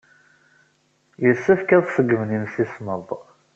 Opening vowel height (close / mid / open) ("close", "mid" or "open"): mid